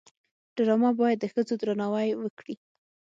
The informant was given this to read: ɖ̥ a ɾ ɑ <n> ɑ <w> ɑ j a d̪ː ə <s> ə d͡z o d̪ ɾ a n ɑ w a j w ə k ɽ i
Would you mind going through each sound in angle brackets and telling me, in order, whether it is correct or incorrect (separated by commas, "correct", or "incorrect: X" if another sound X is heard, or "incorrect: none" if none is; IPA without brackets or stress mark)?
incorrect: m, incorrect: b, incorrect: x